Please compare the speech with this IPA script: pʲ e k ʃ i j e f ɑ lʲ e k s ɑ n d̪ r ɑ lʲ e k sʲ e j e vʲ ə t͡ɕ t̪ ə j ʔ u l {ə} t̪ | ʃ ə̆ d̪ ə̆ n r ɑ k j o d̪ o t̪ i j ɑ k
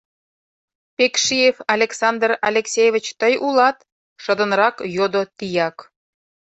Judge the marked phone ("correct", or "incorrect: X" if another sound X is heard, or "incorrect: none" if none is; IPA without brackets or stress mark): incorrect: ɑ